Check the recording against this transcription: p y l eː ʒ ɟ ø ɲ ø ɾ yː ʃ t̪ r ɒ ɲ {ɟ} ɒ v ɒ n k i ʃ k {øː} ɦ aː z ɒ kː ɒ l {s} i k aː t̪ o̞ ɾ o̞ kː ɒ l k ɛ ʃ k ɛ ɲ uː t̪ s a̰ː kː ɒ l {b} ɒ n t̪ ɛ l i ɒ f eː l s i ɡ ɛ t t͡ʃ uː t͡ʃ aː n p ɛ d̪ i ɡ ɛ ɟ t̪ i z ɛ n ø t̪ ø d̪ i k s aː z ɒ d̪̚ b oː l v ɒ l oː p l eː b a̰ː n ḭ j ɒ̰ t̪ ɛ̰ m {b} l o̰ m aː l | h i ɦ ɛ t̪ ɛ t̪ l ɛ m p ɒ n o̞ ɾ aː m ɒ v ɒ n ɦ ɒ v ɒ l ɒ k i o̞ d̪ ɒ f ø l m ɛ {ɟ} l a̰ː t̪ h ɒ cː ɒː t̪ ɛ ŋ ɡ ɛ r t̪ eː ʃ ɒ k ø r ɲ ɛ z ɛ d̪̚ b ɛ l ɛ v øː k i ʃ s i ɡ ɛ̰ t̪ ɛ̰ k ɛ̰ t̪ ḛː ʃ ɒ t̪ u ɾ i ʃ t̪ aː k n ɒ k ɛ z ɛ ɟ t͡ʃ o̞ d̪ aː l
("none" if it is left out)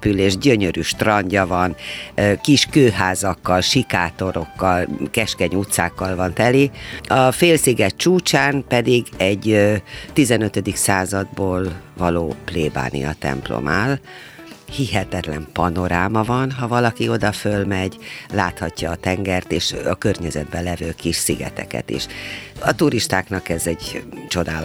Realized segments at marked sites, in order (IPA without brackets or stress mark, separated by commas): ɟ, øː, ʃ, v, p, ɟ